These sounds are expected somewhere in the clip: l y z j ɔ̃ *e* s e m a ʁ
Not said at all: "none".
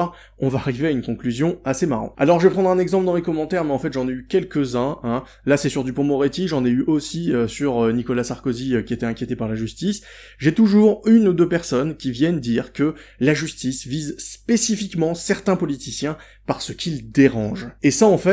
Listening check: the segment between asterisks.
a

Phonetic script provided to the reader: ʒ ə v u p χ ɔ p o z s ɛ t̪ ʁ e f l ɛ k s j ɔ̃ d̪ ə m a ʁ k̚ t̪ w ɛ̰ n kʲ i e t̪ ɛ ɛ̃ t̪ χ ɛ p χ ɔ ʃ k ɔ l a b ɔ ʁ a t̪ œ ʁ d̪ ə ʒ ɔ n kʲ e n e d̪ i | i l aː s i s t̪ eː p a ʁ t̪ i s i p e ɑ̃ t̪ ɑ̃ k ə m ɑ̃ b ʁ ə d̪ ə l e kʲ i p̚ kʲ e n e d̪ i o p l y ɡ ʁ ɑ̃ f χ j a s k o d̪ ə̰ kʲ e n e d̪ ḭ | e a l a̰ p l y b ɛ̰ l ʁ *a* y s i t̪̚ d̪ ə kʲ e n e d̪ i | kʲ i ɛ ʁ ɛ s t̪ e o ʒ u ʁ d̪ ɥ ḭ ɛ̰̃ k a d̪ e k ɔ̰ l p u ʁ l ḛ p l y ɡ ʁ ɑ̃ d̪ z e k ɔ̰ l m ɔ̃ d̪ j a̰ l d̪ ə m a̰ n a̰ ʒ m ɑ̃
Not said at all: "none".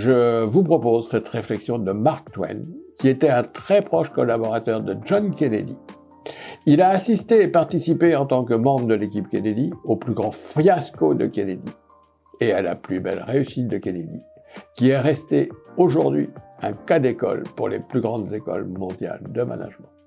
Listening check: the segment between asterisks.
e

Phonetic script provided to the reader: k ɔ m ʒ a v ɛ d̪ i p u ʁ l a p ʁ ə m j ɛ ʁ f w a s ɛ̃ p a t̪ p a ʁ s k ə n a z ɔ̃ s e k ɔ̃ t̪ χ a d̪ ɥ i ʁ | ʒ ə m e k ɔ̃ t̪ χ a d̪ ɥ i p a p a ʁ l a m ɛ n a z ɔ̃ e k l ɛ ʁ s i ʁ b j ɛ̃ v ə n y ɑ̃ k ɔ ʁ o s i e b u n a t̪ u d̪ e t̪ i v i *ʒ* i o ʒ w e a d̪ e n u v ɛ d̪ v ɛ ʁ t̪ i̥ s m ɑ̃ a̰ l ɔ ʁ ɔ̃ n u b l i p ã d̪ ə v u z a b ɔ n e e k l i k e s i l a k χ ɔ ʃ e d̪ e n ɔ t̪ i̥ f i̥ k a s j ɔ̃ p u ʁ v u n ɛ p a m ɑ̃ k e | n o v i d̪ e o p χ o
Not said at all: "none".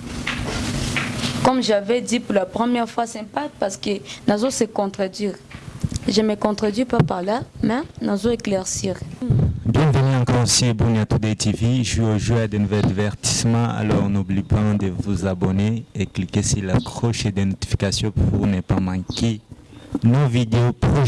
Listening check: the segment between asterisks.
ʒ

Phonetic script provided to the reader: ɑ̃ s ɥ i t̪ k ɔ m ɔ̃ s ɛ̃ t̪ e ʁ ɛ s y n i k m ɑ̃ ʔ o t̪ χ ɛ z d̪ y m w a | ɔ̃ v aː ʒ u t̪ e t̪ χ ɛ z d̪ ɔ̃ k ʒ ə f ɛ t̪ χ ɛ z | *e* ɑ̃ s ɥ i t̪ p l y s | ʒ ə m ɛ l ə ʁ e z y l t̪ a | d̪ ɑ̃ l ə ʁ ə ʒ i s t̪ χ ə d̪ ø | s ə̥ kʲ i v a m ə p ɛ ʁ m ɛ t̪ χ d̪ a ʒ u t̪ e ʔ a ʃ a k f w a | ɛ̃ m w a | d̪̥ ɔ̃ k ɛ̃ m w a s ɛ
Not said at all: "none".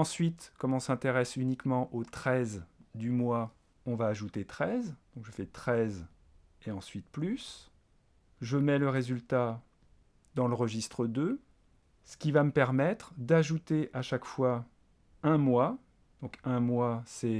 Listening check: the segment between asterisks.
e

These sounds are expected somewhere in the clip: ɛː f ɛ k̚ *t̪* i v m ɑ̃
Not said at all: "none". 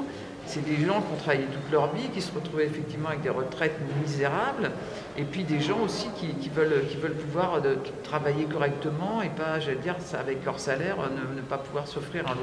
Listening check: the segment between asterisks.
t̪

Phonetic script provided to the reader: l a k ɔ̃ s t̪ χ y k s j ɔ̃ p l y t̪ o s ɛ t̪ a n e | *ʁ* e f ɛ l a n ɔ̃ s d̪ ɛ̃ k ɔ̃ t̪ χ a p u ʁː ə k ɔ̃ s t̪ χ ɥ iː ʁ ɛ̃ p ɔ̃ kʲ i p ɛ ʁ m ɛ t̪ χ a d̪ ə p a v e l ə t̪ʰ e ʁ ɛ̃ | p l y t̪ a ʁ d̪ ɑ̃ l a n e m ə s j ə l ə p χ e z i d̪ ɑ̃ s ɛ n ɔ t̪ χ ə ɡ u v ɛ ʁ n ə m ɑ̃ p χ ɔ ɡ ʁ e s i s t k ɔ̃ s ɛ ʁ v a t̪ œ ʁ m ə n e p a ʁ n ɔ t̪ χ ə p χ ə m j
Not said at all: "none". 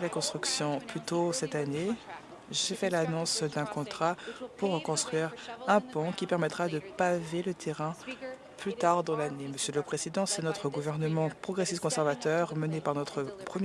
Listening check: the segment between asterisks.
ʒ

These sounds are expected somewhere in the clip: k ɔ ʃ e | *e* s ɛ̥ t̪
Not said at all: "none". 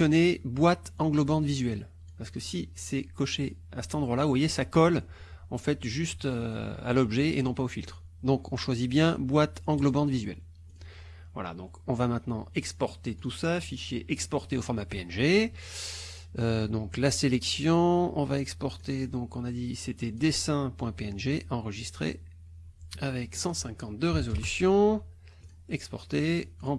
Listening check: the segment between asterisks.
a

